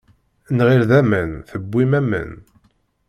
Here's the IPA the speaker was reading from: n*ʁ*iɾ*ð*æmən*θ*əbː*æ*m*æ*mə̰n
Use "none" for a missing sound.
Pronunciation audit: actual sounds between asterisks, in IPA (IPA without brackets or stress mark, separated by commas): ʁ, ð, θ, i, æ